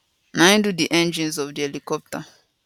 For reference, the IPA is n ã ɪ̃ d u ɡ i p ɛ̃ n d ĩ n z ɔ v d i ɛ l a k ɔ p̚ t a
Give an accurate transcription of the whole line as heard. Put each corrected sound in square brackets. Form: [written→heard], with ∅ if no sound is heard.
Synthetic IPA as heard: n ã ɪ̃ d u [ɡ→d] i [p→ʔ] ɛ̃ n [d→d͡ʒ] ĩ n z ɔ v d i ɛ l [a→i] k ɔ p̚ t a